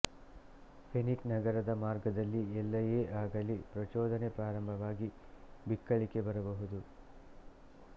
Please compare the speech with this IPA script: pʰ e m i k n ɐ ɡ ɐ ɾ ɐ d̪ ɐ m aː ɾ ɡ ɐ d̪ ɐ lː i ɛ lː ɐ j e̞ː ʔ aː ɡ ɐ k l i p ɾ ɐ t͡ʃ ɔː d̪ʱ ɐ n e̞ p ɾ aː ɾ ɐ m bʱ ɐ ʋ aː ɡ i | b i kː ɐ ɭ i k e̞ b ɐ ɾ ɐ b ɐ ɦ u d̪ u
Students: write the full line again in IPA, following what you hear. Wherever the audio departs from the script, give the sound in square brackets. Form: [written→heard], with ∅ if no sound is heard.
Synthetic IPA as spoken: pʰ e [m→n] i k n ɐ ɡ ɐ ɾ ɐ d̪ ɐ m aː ɾ ɡ ɐ d̪ ɐ lː i ɛ lː ɐ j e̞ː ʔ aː ɡ ɐ [k→∅] l i p ɾ ɐ t͡ʃ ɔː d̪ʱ ɐ n e̞ p ɾ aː ɾ ɐ m bʱ ɐ ʋ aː ɡ i | b i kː ɐ ɭ i k e̞ b ɐ ɾ ɐ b ɐ ɦ u d̪ u